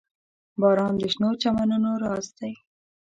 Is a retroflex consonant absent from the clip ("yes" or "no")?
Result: yes